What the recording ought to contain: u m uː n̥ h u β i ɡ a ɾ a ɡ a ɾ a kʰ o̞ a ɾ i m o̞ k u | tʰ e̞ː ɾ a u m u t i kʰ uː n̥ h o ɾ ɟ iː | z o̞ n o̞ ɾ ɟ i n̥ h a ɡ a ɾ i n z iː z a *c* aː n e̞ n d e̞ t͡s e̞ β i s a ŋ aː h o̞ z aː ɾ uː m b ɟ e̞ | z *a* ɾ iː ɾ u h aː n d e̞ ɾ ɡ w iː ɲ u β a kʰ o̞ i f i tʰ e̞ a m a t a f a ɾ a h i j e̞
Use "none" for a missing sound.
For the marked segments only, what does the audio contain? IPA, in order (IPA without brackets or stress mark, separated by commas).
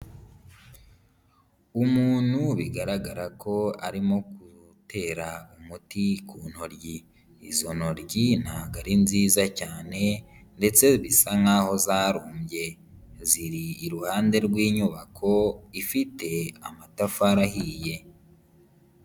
c, i